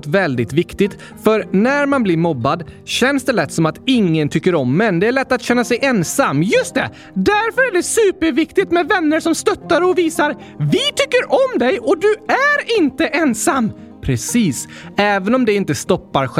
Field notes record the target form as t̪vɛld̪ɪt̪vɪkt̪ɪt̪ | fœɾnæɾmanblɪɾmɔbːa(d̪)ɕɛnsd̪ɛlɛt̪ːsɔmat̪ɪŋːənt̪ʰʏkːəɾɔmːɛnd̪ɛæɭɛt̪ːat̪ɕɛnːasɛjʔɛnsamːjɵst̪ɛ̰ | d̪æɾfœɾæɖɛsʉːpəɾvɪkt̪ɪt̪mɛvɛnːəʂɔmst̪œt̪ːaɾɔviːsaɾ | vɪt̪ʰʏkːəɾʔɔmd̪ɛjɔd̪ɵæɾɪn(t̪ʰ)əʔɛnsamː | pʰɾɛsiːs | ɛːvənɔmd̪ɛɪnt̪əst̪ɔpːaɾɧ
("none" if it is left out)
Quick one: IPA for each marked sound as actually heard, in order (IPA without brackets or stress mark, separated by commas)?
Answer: d̪, t̪